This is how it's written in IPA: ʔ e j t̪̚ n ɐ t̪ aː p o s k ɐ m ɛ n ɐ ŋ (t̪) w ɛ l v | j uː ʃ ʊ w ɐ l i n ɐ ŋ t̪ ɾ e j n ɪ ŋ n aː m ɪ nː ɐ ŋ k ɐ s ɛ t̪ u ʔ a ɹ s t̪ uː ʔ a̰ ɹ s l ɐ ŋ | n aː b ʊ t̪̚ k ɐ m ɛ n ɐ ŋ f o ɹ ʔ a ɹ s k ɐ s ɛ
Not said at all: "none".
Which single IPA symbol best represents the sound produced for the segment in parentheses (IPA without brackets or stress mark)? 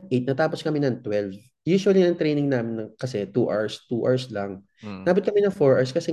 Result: t̪